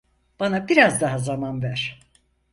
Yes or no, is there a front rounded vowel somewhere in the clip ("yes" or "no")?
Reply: no